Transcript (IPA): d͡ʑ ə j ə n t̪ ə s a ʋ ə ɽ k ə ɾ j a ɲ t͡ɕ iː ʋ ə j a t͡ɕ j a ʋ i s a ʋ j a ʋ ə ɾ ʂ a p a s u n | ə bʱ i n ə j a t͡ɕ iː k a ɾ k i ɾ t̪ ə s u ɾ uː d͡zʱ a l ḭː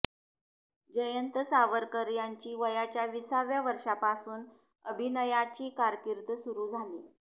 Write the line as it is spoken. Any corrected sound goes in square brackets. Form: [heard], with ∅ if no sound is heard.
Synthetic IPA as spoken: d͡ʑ ə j ə n t̪ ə s a ʋ ə [ɾ] k ə ɾ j a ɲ t͡ɕ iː ʋ ə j a t͡ɕ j a ʋ i s a ʋ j a ʋ ə ɾ ʂ a p a s [uː] n | ə bʱ i n ə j a t͡ɕ iː k a ɾ k i ɾ t̪ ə s u ɾ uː d͡zʱ a l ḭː